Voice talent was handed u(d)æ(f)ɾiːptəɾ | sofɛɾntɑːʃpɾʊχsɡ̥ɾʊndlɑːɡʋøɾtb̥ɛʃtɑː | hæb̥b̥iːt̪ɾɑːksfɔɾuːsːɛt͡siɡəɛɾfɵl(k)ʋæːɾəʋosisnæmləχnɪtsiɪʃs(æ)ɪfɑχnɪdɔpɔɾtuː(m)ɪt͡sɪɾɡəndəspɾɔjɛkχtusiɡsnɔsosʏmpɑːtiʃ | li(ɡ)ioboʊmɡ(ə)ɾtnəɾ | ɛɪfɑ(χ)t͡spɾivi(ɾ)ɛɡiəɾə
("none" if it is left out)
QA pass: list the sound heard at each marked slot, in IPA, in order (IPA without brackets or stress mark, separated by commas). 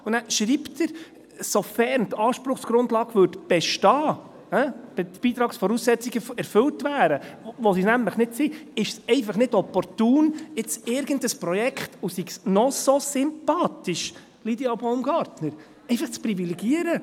n, ʃ, t, ɛ, n, d, ɑ, χ, l